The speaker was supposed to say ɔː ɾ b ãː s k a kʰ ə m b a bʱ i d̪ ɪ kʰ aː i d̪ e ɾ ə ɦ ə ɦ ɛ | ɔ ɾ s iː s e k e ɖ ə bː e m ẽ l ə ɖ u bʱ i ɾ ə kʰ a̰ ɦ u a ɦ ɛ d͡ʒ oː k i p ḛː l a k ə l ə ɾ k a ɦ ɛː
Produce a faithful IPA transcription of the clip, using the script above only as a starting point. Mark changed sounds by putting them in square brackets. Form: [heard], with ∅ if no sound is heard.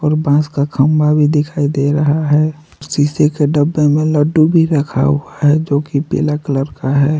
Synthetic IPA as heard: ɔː ɾ b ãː s k a kʰ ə m b a bʱ i d̪ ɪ kʰ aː i d̪ e ɾ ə ɦ [a] ɦ ɛ | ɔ ɾ s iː s e k e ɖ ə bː e m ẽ l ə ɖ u bʱ i ɾ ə kʰ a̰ ɦ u a ɦ ɛ d͡ʒ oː k i p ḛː l a k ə l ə ɾ k a ɦ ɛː